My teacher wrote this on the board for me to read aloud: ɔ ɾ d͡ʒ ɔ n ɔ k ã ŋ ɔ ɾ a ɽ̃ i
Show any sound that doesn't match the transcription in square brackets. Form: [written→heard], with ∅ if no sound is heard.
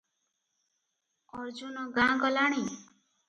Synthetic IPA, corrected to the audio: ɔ ɾ d͡ʒ [ɔ→u] n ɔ [k→ɡ] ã [ŋ→ɡ] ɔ [ɾ→l] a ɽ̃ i